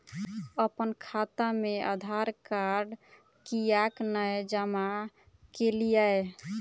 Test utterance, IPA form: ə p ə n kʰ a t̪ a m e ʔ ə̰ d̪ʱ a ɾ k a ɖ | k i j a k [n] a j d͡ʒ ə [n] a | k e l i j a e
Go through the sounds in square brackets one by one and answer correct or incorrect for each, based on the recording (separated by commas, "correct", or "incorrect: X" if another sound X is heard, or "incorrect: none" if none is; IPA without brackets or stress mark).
correct, incorrect: m